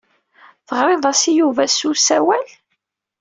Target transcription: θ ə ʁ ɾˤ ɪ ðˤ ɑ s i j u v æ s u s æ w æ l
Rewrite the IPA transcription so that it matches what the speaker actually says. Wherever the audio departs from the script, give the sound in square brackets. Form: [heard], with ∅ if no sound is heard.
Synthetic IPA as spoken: θ ə ʁ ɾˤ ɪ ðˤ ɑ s i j u v æ s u s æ w æ l